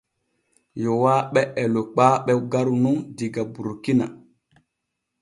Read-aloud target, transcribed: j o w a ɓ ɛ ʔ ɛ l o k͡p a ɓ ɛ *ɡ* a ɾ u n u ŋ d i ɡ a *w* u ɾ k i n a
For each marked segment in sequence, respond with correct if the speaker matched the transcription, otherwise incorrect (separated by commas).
correct, incorrect